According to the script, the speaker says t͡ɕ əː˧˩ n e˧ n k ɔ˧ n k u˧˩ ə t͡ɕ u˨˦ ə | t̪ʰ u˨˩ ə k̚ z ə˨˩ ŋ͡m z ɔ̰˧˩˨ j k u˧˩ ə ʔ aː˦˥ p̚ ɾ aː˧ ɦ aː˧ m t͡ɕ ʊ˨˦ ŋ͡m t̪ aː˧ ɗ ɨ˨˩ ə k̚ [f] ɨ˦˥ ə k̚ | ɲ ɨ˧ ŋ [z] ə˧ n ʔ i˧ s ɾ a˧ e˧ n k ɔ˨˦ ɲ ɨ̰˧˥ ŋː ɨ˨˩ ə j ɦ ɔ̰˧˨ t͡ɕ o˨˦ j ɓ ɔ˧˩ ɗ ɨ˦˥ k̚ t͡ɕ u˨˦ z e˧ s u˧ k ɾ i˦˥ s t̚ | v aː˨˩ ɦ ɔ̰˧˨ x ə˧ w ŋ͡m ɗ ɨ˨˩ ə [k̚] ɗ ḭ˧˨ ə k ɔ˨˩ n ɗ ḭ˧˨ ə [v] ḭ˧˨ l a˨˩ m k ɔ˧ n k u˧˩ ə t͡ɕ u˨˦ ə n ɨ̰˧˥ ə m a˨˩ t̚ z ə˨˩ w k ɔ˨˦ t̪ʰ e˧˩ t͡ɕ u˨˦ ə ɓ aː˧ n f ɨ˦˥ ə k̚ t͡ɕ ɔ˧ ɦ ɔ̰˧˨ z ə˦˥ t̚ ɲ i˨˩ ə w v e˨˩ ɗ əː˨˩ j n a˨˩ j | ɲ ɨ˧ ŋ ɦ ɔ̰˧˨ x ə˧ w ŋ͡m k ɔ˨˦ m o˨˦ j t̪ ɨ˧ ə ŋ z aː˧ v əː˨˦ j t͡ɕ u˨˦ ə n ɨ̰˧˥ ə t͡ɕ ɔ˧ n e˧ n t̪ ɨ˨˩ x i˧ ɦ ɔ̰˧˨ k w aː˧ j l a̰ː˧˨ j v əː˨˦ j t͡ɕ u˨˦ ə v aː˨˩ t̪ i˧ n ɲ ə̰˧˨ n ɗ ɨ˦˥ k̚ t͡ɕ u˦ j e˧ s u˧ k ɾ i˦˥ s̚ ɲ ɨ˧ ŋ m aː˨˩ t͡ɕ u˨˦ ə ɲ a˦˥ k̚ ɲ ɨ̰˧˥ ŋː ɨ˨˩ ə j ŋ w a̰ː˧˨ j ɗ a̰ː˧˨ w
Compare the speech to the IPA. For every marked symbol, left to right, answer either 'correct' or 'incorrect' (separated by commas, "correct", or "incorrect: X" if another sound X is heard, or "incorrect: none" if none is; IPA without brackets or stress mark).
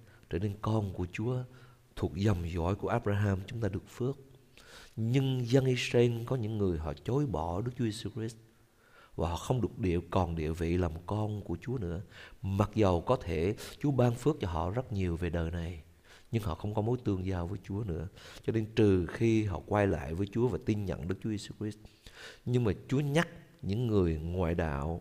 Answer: correct, correct, correct, correct